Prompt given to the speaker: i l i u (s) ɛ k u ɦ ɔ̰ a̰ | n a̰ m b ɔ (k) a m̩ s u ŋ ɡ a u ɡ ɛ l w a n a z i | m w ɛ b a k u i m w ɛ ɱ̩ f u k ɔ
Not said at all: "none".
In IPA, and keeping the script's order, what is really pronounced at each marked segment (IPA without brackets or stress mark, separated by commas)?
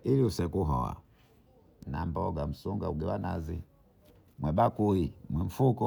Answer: s, ɡ